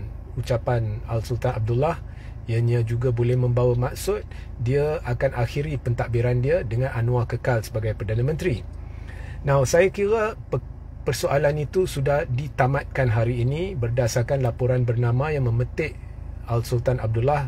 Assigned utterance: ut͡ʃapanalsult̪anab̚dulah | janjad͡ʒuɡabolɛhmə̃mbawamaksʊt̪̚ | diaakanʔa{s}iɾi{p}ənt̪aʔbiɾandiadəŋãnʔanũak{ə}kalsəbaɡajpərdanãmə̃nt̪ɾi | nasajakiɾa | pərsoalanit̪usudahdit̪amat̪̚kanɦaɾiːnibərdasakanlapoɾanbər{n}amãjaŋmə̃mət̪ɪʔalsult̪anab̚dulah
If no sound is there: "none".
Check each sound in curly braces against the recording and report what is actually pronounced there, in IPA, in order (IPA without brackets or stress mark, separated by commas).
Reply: x, p, ə, n